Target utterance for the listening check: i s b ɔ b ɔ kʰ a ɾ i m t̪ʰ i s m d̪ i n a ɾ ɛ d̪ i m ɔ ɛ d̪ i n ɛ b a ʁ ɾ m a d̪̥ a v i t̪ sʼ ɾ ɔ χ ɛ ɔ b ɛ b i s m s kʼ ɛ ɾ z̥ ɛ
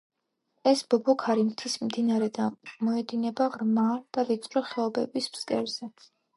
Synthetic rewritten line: ɛ s b ɔ b ɔ kʰ a ɾ i m t̪ʰ i s m d̪ i n a ɾ ɛ d̪ a m ɔ ɛ d̪ i n ɛ b a ʁ ɾ m a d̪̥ a v i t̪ sʼ ɾ ɔ χ ɛ ɔ b ɛ b i s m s kʼ ɛ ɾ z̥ ɛ